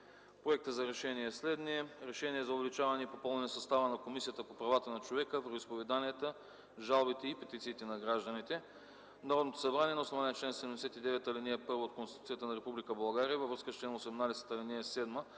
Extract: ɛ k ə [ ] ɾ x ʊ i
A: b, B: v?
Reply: B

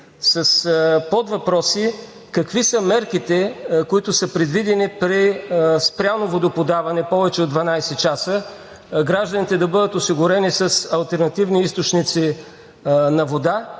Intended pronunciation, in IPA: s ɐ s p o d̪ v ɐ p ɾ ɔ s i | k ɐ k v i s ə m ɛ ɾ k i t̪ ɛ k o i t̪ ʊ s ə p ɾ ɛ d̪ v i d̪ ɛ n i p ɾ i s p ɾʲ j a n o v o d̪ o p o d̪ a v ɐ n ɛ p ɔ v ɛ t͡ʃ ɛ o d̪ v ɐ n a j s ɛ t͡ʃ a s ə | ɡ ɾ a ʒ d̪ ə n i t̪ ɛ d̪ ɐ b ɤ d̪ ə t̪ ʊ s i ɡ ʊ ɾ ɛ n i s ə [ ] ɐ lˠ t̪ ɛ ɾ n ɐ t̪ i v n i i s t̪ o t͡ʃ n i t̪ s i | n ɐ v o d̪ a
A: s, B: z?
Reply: A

